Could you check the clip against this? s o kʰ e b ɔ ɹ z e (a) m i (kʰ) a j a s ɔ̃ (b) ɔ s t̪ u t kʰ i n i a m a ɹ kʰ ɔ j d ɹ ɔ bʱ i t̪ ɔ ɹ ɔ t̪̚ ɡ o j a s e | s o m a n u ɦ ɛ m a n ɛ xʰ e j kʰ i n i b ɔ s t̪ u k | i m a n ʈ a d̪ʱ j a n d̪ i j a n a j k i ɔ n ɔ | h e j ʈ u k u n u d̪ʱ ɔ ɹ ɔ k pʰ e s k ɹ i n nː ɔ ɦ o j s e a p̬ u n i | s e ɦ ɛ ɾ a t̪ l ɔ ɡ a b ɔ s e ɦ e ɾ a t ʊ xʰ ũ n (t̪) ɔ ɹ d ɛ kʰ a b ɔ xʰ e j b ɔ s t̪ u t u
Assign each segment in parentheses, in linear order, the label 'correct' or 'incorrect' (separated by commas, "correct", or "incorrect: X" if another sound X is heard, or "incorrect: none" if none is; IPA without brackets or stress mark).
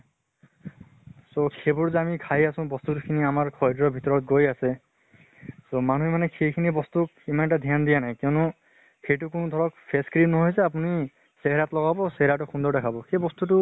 correct, correct, correct, incorrect: d̪